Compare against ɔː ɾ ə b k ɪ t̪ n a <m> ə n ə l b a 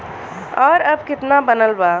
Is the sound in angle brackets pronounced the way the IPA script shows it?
no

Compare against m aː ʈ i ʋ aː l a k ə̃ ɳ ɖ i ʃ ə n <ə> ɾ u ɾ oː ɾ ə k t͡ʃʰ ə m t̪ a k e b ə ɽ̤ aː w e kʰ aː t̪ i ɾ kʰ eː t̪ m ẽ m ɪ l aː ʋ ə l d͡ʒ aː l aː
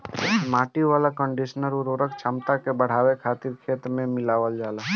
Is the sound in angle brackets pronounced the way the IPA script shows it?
yes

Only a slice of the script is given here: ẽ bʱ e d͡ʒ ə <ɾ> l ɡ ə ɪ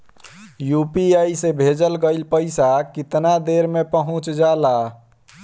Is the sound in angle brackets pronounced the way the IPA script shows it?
no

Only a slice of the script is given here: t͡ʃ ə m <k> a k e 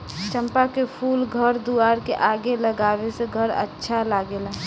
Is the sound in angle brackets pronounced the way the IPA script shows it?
no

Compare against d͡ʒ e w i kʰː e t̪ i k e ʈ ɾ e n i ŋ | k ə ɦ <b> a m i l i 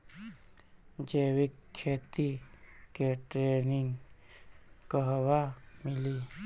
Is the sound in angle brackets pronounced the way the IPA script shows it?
no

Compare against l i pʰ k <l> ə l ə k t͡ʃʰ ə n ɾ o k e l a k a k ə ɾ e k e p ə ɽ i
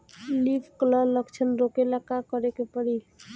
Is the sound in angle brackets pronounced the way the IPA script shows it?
yes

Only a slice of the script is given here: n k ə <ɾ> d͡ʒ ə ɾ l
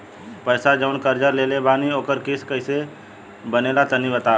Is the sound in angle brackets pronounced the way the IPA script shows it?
yes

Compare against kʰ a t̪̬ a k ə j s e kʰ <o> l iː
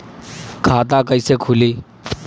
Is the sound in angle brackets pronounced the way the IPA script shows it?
no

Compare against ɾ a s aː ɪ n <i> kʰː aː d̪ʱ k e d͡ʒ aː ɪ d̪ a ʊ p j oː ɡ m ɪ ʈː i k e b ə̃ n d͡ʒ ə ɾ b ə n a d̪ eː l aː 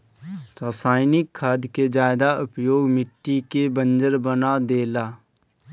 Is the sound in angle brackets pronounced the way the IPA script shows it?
no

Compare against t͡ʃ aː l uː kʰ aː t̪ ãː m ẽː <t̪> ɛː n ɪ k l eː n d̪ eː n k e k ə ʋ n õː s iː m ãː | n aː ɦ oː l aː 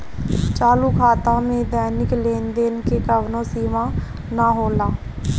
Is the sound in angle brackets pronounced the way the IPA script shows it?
no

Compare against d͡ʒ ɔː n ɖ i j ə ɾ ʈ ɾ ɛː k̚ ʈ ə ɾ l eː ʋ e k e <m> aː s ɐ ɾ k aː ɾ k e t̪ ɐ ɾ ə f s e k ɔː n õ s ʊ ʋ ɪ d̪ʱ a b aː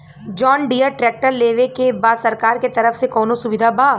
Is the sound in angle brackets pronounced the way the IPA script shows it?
no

